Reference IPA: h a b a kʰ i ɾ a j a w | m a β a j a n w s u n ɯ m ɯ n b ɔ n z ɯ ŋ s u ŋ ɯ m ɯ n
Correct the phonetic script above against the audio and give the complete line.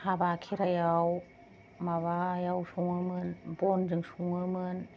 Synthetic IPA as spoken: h a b a kʰ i ɾ a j a w | m a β a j a w s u ŋ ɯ m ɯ n b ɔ n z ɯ ŋ s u ŋ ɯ m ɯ n